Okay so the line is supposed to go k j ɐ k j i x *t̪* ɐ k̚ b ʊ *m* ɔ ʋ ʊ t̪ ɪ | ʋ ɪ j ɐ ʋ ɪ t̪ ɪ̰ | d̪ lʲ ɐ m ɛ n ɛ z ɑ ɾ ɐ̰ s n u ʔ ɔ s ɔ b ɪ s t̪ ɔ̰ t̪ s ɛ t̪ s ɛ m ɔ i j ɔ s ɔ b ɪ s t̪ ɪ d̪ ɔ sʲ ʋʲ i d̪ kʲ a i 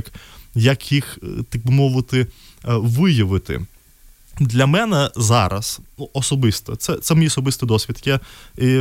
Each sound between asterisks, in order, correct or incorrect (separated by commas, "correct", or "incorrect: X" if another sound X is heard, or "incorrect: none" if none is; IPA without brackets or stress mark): correct, correct